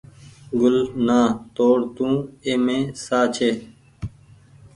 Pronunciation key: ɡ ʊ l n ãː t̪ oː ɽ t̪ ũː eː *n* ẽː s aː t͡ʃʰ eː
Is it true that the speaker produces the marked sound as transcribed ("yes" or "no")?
no